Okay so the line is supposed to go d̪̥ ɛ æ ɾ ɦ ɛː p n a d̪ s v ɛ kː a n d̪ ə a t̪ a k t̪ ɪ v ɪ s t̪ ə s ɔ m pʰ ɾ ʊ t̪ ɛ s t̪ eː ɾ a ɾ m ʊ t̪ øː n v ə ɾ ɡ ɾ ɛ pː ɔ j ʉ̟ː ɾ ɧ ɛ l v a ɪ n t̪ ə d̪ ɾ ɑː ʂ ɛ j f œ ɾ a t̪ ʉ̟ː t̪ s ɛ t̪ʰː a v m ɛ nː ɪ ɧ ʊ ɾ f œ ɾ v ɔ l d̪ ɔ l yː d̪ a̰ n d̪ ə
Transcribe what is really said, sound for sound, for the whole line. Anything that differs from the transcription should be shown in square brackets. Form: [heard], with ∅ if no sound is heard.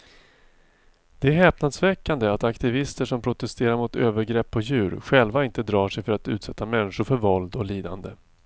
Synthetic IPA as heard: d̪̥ ɛ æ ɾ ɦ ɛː p n a d̪ s v ɛ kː a n d̪ ə a t̪ a k t̪ ɪ v ɪ s t̪ ə [ʂ] ɔ m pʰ ɾ ʊ t̪ ɛ s t̪ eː ɾ a ɾ m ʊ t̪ øː [∅] v ə ɾ ɡ ɾ ɛ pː ɔ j ʉ̟ː ɾ ɧ ɛ l v a ɪ n t̪ ə d̪ ɾ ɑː ʂ ɛ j f œ ɾ a t̪ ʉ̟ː t̪ s ɛ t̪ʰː a [∅] m ɛ nː ɪ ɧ ʊ ɾ f œ ɾ v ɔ l d̪ ɔ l [iː] d̪ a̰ n d̪ ə